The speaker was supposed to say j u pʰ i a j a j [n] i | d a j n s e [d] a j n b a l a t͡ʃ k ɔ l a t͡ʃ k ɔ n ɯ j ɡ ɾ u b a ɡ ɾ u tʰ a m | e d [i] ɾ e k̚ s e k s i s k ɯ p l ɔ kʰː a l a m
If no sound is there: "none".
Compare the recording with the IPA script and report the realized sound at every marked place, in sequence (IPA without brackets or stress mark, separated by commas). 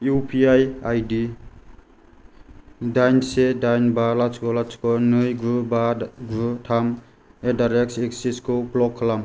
d, d, a